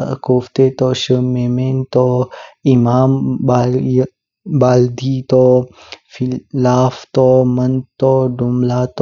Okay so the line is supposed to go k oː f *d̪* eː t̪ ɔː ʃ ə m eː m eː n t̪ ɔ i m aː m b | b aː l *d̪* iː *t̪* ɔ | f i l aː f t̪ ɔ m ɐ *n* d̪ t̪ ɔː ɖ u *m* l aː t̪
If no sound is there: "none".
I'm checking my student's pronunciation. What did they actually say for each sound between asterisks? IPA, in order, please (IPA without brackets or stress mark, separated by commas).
t̪, d̪, t̪, n, m